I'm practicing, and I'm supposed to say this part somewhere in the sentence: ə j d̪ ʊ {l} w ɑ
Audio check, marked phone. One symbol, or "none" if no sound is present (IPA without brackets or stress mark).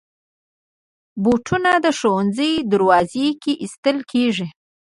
ɾ